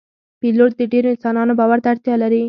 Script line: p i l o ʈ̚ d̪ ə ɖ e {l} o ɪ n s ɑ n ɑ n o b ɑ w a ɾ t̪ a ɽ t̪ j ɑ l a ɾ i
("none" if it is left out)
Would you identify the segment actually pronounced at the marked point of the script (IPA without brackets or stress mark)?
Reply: ɾ